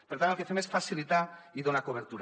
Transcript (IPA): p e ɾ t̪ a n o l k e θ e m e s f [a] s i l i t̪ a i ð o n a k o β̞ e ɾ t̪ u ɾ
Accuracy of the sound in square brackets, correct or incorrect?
correct